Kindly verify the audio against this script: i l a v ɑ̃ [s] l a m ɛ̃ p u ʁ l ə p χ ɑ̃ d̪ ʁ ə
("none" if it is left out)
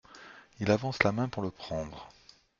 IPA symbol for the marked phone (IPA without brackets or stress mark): s